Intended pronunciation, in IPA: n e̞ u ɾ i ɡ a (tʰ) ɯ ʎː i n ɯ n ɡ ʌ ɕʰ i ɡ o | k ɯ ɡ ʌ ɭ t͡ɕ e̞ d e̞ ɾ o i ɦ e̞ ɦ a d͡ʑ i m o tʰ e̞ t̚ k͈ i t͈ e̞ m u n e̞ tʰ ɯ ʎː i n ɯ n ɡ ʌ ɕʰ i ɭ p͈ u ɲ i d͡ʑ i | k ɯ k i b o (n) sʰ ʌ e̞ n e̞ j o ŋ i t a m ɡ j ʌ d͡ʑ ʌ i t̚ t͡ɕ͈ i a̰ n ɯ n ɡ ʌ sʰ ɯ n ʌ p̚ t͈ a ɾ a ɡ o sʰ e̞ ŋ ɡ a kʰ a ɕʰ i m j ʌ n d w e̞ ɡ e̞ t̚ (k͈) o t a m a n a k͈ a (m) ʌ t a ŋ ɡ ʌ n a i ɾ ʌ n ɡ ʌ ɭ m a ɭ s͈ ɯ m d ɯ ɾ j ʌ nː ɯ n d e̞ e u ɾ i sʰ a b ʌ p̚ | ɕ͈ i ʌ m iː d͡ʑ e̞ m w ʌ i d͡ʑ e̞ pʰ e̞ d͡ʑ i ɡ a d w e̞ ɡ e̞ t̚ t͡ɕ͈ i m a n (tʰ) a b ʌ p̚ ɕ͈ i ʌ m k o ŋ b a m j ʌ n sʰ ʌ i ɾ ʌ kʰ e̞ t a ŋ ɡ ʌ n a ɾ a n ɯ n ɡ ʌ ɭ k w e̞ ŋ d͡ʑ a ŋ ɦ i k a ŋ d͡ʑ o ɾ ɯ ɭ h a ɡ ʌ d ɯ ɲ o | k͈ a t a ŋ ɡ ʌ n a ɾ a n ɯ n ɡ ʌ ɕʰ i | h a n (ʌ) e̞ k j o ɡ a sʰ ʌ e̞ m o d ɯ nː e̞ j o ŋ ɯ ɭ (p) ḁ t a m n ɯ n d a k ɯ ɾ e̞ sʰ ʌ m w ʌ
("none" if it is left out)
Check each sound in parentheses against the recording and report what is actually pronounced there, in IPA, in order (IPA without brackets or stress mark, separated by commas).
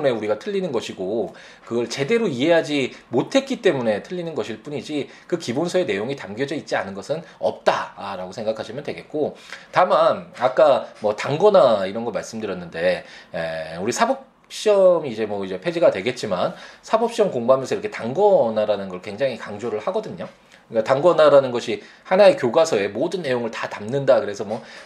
tʰ, n, k͈, m, sʰ, a, t